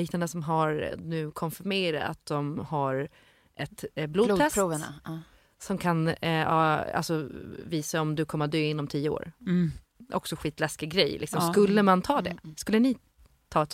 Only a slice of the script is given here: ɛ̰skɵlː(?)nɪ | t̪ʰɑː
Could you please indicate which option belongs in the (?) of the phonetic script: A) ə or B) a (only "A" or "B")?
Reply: A